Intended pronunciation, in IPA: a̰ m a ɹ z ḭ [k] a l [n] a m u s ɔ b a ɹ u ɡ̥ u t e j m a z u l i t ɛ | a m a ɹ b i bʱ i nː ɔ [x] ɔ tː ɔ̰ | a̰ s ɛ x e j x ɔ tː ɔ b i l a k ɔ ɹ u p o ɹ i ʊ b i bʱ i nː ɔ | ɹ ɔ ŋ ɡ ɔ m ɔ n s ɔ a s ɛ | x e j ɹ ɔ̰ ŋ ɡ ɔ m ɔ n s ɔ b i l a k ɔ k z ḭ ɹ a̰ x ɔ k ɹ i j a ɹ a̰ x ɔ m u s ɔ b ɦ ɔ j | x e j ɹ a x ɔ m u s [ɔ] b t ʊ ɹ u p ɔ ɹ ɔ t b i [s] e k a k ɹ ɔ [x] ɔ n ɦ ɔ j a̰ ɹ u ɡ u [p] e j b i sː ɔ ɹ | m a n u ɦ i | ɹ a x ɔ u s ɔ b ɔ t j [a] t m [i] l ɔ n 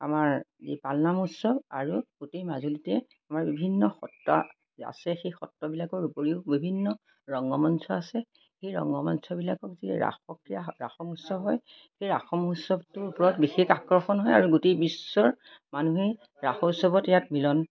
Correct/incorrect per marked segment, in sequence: incorrect, correct, correct, correct, incorrect, correct, incorrect, correct, correct

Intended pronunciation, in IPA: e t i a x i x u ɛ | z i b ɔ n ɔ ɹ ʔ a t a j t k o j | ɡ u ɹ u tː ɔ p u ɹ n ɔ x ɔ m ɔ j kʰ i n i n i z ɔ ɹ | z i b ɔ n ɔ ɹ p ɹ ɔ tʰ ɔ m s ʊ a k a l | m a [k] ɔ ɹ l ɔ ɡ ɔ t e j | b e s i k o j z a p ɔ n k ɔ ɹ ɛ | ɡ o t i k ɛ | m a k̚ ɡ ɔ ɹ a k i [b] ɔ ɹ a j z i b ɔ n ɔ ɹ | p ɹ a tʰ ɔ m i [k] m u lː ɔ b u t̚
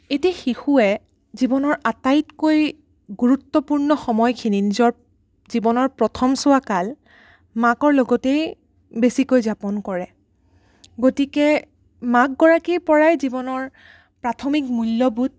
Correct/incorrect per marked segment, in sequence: correct, incorrect, correct

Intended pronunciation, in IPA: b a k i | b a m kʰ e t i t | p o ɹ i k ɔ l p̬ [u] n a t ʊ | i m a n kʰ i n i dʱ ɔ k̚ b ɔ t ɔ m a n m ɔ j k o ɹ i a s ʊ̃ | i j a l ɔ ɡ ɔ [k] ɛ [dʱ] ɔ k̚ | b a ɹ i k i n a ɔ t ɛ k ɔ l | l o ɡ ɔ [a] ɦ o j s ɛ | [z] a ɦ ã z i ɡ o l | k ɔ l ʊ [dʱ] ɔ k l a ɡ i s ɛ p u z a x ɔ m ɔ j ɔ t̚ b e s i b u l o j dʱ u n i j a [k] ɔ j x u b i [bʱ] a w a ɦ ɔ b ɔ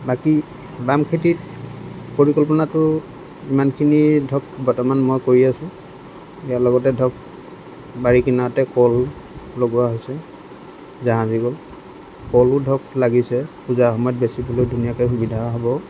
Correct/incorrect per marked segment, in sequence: incorrect, incorrect, correct, correct, correct, correct, correct, incorrect

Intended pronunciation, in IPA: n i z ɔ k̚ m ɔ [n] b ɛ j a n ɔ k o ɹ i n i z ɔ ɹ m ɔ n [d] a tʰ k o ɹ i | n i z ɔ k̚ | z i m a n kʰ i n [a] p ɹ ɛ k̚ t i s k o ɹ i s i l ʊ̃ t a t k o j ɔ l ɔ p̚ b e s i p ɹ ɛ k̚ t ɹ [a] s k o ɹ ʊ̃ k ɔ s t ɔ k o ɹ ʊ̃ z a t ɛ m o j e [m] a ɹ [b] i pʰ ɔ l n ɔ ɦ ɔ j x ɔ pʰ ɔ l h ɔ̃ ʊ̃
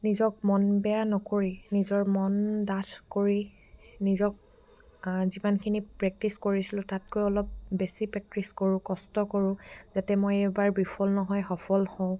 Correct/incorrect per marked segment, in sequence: correct, correct, incorrect, incorrect, incorrect, correct

